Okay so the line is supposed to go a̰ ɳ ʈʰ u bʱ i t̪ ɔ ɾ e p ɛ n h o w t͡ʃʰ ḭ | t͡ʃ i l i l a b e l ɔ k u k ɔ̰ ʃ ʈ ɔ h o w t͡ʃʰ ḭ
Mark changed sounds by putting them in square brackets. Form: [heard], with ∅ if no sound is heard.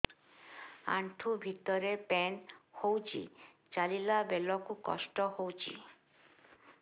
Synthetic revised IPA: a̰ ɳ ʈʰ u bʱ i t̪ ɔ ɾ e p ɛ n h o w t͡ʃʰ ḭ | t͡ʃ [a] l i l a b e l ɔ k u k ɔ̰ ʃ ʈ ɔ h o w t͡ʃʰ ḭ